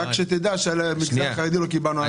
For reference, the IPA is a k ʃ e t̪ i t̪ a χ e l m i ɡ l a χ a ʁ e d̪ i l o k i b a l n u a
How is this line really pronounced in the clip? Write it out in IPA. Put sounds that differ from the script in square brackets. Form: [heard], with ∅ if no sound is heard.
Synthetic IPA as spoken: a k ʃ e t̪ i [d̪] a [ʃ] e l m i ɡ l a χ a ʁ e d̪ i l o k i b a l n u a